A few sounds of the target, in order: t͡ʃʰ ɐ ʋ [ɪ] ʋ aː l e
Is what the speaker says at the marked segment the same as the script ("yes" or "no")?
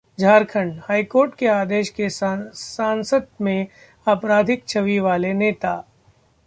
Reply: no